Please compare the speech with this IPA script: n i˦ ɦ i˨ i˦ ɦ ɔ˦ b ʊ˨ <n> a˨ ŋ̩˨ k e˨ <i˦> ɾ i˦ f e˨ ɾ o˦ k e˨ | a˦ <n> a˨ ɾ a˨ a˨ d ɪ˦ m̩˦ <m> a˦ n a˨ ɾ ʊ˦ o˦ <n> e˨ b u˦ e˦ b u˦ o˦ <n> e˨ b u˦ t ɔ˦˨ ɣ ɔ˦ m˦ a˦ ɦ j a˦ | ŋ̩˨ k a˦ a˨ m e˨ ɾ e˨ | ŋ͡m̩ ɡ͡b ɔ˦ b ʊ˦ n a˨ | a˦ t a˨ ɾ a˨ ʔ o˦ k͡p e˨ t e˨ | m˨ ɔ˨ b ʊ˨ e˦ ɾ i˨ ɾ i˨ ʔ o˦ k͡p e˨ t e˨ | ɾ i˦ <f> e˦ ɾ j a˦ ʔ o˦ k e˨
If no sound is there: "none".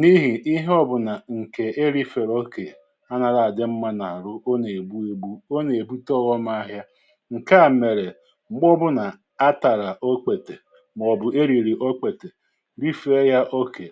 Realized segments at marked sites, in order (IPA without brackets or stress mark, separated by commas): n, e˦, n, m, n, n, f